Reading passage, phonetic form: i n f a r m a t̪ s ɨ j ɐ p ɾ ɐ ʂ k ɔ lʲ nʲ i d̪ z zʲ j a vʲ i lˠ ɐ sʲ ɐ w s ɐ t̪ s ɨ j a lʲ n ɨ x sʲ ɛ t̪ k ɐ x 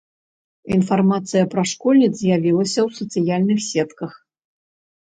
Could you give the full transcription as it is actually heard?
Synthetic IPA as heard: i n f a r m a t̪ s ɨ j ɐ p ɾ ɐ ʂ k ɔ lʲ nʲ i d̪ z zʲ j a vʲ i lˠ ɐ sʲ ɐ w s ɐ t̪ s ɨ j a lʲ n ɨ x sʲ ɛ t̪ k ɐ x